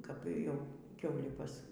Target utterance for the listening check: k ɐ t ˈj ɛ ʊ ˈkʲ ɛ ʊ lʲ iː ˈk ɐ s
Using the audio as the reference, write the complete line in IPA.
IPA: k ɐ p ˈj ɛ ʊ ˈkʲ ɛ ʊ lʲ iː ˈp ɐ s